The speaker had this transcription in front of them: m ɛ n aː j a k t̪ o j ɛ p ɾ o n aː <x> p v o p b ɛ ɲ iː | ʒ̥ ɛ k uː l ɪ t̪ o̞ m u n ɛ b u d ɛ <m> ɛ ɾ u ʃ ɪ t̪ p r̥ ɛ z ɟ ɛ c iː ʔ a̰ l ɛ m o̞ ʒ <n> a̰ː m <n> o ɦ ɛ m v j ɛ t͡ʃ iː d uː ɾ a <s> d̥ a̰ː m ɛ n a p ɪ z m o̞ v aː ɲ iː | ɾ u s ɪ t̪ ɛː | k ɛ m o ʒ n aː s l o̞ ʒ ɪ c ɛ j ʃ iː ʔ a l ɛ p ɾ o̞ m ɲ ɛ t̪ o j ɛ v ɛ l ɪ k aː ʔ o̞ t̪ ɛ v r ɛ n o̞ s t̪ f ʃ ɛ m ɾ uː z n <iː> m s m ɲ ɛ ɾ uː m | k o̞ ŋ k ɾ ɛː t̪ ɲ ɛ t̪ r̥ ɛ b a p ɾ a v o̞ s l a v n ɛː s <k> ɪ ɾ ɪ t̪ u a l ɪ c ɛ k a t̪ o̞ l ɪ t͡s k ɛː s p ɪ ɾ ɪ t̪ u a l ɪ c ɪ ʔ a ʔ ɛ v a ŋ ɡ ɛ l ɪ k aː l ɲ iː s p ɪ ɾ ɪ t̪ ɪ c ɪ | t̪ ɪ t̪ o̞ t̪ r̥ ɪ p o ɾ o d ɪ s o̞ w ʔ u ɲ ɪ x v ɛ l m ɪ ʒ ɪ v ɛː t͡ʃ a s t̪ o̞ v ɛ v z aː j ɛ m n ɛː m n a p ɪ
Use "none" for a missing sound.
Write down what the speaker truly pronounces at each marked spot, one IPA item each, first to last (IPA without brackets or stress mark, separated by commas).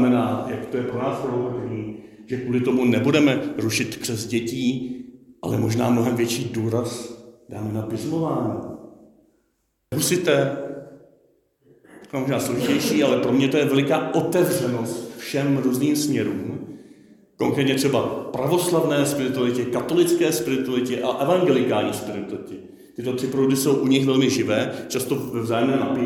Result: s, m, n, n, s, iː, p